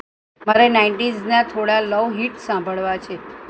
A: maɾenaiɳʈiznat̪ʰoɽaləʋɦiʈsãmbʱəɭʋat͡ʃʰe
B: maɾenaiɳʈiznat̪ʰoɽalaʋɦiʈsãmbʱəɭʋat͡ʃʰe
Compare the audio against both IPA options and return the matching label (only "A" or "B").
A